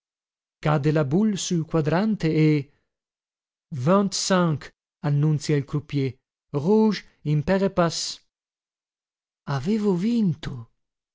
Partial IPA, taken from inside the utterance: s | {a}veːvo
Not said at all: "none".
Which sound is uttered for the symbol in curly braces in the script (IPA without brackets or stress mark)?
a